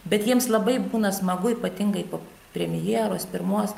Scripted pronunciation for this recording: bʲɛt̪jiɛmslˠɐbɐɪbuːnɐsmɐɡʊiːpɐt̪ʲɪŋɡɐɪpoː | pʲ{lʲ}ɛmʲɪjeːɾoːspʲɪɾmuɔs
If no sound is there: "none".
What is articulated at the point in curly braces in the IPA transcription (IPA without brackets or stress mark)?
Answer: ɾʲ